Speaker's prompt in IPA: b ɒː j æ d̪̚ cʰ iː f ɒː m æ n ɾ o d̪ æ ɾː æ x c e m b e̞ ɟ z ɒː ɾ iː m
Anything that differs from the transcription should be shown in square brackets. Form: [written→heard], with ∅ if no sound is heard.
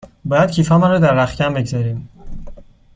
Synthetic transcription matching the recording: b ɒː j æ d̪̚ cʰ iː f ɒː m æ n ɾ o d̪ æ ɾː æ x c [e→æ] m b e̞ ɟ z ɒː ɾ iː m

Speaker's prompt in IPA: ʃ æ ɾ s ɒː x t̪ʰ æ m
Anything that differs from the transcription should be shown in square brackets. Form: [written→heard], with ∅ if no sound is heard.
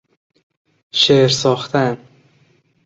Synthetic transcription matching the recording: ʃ [æ→e] ɾ s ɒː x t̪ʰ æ [m→n]

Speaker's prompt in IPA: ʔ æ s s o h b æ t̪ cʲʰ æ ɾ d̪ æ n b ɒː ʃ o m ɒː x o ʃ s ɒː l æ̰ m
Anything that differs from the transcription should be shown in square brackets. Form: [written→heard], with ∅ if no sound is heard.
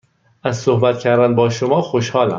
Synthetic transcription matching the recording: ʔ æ [s→z] s o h b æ t̪ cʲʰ æ ɾ d̪ æ n b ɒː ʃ o m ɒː x o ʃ [s→h] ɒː l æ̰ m

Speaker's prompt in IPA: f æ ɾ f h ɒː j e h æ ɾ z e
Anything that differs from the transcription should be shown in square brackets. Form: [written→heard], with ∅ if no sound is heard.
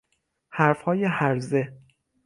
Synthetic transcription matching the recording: [f→h] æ ɾ f h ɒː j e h æ ɾ z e

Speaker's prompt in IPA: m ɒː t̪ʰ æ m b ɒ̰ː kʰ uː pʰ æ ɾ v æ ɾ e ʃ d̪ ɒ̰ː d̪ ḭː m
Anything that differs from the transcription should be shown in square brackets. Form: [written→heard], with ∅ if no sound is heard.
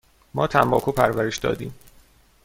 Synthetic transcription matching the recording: m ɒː t̪ʰ æ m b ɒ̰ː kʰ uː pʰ æ ɾ v æ ɾ e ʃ d̪ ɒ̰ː d̪ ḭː m

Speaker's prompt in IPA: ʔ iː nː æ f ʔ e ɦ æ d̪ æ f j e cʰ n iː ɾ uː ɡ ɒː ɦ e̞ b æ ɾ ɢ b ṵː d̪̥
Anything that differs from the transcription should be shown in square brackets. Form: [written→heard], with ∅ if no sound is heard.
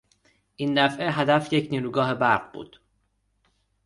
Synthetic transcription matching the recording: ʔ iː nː æ f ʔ e ɦ æ d̪ æ f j e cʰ n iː ɾ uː ɡ ɒː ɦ e̞ b æ ɾ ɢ b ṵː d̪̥

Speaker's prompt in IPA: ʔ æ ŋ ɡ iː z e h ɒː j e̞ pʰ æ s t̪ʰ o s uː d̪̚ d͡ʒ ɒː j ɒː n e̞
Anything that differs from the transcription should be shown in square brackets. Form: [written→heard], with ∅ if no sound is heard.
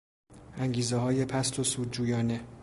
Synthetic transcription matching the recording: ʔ æ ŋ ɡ iː z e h ɒː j e̞ pʰ æ s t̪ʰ o s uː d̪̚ d͡ʒ [ɒː→uː] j ɒː n e̞

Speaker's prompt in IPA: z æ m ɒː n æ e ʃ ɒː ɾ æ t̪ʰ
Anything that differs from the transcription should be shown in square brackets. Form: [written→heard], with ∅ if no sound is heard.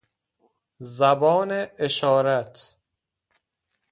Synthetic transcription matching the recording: z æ [m→b] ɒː n [æ→e] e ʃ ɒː ɾ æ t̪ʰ

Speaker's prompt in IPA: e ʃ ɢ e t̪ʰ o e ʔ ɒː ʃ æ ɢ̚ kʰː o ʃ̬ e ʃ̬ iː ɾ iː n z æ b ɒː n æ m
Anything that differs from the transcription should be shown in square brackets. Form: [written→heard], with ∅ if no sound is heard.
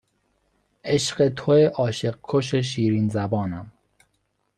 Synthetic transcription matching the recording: e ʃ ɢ e t̪ʰ o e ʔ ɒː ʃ [æ→e] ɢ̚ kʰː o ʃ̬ e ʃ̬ iː ɾ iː n z æ b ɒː n æ m

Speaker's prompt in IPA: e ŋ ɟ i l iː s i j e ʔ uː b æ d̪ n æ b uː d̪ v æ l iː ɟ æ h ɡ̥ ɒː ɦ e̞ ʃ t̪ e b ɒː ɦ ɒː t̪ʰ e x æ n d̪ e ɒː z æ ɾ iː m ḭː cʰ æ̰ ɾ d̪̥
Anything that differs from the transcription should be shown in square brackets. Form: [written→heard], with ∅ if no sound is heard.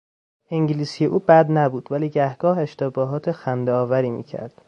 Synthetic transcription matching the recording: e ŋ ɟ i l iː s i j e ʔ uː b æ d̪ n æ b uː d̪ v æ l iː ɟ æ h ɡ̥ ɒː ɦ e̞ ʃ t̪ e b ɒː ɦ ɒː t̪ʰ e x æ n d̪ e ɒː [z→v] æ ɾ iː m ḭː cʰ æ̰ ɾ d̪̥

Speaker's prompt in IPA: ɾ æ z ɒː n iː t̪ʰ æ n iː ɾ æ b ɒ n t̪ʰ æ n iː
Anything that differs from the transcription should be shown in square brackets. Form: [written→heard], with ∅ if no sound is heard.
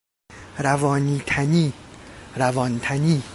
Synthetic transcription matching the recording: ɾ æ [z→v] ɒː n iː t̪ʰ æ n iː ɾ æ [b→v] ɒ n t̪ʰ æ n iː

